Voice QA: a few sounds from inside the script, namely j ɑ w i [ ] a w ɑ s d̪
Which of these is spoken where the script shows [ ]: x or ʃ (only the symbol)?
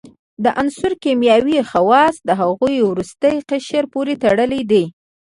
x